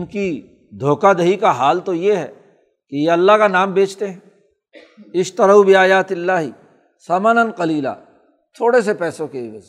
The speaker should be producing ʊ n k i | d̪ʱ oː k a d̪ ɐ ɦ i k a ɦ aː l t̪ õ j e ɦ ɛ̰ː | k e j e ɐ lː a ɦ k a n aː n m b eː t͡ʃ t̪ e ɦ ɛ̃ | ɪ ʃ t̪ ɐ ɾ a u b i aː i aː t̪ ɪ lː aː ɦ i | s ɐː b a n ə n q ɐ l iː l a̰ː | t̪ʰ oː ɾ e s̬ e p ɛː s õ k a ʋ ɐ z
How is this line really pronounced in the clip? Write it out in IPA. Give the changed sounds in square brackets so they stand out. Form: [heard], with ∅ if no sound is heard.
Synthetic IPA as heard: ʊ n k i | d̪ʱ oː k a d̪ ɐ ɦ i k a ɦ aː l t̪ [o] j e ɦ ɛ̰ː | k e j e ɐ lː a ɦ k a n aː [∅] m b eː t͡ʃ t̪ e ɦ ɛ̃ | ɪ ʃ t̪ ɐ ɾ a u b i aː [j] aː t̪ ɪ lː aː ɦ i | s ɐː [m] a n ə n q ɐ l iː l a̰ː | t̪ʰ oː [ɽ] e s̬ e p ɛː s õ k [e] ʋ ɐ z